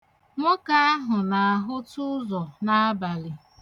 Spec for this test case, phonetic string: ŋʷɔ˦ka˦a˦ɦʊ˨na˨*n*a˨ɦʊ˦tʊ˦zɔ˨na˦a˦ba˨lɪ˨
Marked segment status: incorrect: none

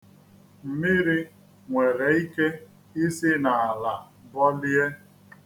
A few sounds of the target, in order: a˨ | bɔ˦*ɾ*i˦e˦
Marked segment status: incorrect: l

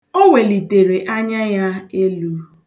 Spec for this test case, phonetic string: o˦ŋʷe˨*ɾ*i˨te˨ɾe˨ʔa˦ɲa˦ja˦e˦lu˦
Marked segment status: incorrect: l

